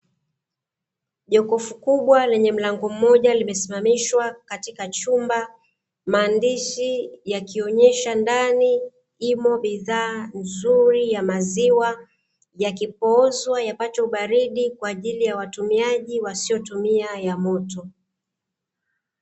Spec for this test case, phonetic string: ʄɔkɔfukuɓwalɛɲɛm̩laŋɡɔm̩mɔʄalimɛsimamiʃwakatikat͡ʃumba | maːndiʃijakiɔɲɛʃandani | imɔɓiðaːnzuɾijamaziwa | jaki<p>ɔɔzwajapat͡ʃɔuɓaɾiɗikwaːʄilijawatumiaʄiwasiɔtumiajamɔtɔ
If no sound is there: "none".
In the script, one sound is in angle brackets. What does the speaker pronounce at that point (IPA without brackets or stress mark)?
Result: p